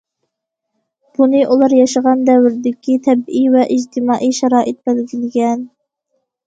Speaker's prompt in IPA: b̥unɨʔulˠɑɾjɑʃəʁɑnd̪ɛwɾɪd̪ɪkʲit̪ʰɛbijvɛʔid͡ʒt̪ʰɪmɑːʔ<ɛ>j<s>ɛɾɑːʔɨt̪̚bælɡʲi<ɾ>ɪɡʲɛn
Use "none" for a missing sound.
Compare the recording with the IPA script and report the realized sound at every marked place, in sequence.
i, ʃ, l

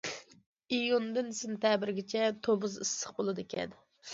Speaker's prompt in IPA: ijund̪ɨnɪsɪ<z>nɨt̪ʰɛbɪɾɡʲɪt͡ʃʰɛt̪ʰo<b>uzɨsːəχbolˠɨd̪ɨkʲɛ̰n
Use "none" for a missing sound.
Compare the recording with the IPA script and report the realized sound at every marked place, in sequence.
none, b

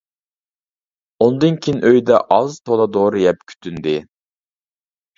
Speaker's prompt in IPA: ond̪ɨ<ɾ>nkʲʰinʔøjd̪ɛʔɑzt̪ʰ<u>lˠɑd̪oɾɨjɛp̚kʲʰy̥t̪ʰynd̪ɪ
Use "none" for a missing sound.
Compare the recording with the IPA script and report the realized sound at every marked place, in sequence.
none, o

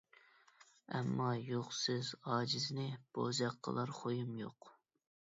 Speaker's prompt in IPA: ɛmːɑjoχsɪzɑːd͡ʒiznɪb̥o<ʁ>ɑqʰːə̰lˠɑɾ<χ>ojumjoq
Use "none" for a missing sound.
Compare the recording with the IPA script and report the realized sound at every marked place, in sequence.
z, χ

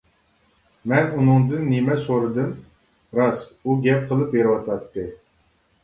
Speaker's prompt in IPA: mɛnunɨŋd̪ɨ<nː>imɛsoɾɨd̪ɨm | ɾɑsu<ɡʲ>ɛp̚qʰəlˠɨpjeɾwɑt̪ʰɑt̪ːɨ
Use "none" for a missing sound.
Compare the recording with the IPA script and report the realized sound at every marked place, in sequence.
nː, ɡʲ

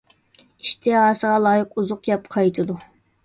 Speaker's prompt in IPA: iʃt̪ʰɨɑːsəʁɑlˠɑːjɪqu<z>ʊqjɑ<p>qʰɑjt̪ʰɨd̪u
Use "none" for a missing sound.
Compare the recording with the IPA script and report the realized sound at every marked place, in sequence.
z, p

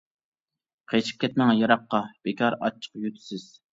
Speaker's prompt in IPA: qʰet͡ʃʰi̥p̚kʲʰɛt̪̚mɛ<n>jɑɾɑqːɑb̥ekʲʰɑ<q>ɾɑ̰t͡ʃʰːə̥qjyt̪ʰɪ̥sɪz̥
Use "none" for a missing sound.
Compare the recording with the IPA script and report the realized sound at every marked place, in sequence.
ŋ, none

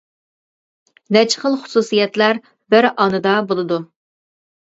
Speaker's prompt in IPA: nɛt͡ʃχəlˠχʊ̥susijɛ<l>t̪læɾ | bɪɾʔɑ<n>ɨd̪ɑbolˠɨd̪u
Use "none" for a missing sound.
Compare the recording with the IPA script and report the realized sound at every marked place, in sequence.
none, n

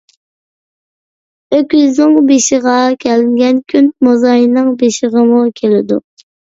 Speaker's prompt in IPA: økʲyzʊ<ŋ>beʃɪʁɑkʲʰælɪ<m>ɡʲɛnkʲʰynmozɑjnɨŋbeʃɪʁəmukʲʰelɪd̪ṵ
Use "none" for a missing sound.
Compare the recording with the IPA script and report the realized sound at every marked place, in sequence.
ŋ, ŋ

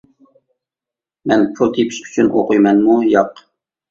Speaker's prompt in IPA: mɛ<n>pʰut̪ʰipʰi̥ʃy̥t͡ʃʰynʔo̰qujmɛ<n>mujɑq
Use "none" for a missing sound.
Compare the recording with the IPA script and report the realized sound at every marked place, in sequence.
n, n

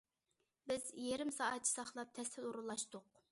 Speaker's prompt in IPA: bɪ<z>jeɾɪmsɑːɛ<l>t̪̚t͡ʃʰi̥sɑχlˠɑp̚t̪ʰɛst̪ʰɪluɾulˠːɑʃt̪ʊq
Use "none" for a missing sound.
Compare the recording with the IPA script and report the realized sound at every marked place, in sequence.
z, none

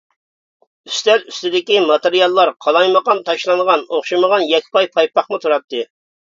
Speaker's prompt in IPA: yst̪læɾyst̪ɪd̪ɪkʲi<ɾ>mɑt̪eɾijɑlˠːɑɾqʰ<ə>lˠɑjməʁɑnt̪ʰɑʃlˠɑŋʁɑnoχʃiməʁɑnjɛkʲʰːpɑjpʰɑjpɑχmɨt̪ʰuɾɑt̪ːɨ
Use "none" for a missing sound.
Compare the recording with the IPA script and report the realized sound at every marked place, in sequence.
none, ɑ

